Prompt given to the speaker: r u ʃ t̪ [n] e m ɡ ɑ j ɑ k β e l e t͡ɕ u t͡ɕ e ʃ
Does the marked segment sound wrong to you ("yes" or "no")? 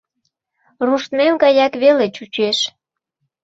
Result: yes